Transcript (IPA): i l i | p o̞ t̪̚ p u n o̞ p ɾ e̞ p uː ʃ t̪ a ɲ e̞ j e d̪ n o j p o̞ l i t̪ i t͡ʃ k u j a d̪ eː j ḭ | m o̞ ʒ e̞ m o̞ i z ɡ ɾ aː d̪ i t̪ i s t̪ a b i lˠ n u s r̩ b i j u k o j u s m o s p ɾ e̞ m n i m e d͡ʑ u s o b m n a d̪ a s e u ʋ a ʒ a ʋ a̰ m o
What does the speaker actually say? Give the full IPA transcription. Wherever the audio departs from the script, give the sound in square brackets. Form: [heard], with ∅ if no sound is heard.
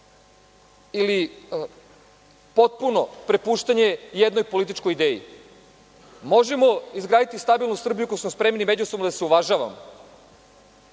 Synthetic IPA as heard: i l i | p o̞ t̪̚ p u n o̞ p ɾ e̞ p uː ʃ t̪ a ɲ e̞ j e d̪ n o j p o̞ l i t̪ i t͡ʃ k [o] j [i] d̪ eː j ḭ | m o̞ ʒ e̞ m o̞ i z ɡ ɾ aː d̪ i t̪ i s t̪ a b i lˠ n u s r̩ b i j u k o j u s m o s p ɾ e̞ m n i m e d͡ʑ u s o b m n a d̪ a s e u ʋ a ʒ a ʋ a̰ m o